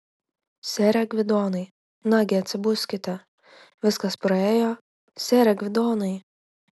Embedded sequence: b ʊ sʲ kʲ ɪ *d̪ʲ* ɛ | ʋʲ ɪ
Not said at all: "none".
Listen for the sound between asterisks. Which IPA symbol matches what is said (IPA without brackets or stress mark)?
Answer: t̪ʲ